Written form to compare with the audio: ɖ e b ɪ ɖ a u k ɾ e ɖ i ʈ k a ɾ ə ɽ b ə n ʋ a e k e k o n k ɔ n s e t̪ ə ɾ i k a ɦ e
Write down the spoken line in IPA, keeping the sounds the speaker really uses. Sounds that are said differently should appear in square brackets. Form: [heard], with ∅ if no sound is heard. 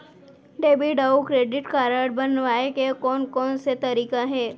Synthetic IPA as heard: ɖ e b [i] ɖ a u k ɾ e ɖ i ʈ k a ɾ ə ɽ b ə n ʋ a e k e k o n k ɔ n s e t̪ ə ɾ i k a ɦ e